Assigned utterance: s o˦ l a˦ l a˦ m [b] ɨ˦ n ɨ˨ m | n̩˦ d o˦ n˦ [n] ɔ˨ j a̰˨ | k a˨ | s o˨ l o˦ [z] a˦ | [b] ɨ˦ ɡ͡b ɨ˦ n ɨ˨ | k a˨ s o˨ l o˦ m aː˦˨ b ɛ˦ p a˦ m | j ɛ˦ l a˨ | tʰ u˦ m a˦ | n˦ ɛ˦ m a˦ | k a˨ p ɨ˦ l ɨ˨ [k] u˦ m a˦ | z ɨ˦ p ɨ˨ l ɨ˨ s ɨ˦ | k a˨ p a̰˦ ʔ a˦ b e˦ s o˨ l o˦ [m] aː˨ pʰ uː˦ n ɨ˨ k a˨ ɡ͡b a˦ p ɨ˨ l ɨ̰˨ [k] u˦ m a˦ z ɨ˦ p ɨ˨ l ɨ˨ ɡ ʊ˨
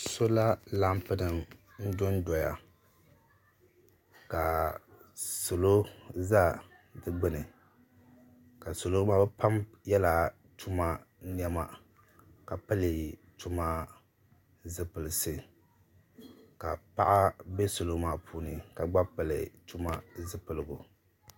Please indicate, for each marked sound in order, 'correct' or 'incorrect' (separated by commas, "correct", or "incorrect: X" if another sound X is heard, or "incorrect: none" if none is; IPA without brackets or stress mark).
incorrect: p, incorrect: d, correct, incorrect: d, incorrect: t, correct, incorrect: t